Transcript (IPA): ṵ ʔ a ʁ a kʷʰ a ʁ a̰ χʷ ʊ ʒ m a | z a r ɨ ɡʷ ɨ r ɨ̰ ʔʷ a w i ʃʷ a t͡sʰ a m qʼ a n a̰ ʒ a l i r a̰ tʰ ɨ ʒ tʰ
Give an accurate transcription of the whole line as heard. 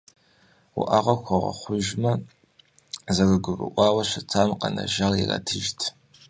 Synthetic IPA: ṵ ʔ a ʁ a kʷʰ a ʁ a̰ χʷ ʊ ʒ m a | z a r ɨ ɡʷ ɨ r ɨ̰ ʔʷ a w a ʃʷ a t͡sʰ a m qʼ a n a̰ ʒ a l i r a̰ tʰ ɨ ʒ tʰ